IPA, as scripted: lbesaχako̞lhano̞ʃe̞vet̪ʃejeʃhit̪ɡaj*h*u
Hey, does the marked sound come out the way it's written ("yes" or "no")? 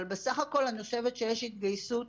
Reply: no